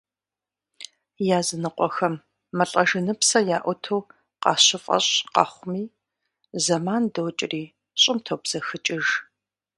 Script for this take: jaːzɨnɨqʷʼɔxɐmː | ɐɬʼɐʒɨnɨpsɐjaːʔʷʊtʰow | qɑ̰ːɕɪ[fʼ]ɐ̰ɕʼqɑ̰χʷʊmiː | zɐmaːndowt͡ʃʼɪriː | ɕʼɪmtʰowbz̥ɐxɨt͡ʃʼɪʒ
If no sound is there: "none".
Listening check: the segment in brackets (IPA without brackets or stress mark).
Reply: fʼ